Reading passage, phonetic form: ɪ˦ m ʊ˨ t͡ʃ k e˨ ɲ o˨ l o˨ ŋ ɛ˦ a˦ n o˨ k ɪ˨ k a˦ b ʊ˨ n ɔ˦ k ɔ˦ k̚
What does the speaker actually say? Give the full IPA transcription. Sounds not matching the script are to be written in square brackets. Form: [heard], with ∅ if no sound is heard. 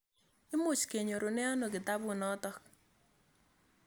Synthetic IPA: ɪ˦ m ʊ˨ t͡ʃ k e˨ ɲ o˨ [ɾ] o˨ [n] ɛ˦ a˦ n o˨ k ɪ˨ [t] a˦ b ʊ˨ n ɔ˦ [t] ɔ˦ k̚